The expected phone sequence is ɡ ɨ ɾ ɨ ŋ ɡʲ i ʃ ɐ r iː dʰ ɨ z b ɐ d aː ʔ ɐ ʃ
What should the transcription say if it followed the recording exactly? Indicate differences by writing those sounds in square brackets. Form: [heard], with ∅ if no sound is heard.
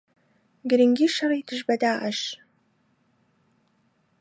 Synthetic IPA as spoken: ɡ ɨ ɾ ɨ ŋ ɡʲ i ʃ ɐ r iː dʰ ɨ [ʒ] b ɐ d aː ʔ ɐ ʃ